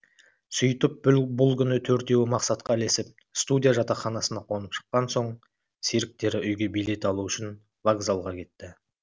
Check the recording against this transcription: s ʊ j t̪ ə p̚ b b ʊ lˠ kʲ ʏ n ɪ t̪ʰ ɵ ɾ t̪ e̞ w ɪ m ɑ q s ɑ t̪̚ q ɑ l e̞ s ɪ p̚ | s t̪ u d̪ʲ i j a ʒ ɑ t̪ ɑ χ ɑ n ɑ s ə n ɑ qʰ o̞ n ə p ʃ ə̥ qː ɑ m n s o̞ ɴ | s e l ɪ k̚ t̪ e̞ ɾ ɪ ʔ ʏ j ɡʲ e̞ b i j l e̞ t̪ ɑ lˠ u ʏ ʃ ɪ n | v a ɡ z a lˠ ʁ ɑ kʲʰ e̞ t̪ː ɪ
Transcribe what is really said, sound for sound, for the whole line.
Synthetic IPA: s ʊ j t̪ ə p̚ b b ʊ lˠ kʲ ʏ n ɪ t̪ʰ ɵ ɾ t̪ e̞ w ɪ m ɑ q s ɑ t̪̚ q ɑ l e̞ s ɪ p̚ | s t̪ u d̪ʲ i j a ʒ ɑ t̪ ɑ χ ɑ n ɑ s ə n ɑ qʰ o̞ n ə p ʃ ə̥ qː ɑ n s o̞ ɴ | s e ɾ ɪ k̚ t̪ e̞ ɾ ɪ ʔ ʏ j ɡʲ e̞ b i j l e̞ t̪ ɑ lˠ u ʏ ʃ ɪ n | v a ɡ z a lˠ ʁ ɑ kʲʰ e̞ t̪ː ɪ